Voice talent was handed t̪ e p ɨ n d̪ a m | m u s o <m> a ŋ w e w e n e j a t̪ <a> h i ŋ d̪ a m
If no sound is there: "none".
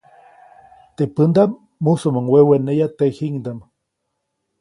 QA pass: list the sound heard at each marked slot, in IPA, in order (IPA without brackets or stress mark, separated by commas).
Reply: m, e